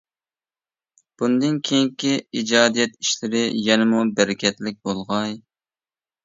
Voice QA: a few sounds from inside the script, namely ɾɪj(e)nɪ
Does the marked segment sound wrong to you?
yes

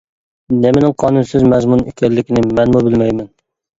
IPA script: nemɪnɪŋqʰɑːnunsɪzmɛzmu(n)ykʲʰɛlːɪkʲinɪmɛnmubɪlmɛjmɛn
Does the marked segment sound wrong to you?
no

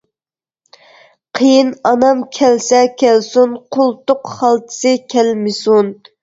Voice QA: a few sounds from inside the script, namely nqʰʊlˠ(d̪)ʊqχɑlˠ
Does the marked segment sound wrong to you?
yes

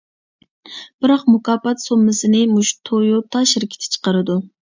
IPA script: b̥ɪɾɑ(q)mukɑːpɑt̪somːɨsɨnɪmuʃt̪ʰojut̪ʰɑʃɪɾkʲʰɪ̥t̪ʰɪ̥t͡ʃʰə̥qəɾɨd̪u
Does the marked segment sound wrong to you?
no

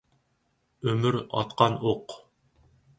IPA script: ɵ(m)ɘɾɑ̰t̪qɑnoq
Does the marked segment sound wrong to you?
no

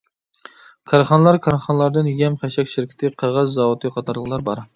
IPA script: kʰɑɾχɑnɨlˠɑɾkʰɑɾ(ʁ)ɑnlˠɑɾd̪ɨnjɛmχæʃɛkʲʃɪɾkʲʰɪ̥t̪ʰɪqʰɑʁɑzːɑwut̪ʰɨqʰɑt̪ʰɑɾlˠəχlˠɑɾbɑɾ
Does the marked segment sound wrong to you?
yes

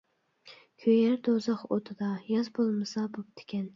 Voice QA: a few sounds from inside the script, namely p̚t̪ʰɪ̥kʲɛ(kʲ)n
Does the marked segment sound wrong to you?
yes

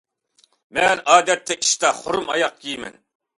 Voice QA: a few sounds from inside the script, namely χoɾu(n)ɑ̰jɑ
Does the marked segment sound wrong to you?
yes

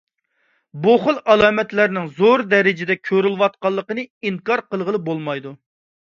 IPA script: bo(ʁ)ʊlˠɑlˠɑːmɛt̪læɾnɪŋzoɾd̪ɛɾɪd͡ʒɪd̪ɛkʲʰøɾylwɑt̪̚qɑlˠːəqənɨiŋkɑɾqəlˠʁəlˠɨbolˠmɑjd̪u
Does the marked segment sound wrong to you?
yes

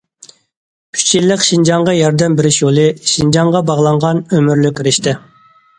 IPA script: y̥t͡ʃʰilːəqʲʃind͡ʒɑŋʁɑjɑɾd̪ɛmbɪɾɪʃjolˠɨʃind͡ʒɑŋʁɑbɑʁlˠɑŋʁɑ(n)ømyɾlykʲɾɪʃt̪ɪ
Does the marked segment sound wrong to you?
no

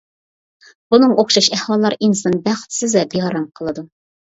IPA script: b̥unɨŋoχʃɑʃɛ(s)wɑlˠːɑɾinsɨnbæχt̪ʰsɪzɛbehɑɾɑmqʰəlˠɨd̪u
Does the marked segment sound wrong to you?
yes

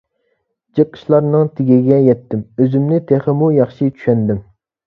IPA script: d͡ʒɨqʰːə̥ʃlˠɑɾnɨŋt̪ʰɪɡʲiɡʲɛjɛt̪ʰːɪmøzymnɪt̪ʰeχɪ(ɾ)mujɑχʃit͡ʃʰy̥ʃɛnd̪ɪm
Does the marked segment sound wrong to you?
yes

